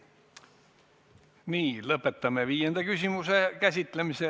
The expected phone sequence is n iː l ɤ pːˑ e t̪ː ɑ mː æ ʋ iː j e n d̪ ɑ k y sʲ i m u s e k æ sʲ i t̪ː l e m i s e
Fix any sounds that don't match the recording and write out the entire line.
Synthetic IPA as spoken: n iː l ɤ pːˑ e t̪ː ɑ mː e ʋ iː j e n d̪ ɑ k y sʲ i m u s e k æ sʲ i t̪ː l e m i s e